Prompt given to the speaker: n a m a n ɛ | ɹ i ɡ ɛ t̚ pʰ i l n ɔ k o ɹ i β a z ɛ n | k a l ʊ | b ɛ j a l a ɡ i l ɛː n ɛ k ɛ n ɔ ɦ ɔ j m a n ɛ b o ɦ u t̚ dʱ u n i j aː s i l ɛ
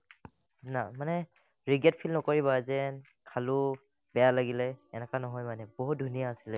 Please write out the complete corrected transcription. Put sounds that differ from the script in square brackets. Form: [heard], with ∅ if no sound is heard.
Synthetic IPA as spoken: n a m a n ɛ | ɹ i ɡ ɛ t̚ pʰ i l n ɔ k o ɹ i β a z ɛ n | [kʰ] a l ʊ | b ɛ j a l a ɡ i l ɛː n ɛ k [a] n ɔ ɦ ɔ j m a n ɛ b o ɦ u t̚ dʱ u n i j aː s i l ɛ